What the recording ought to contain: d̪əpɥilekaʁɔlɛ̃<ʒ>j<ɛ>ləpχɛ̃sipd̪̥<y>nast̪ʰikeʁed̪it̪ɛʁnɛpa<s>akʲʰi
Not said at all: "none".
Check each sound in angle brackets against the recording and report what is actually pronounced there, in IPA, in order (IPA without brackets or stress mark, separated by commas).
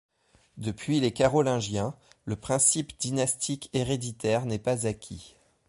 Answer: ʒ, ɛ̃, i, z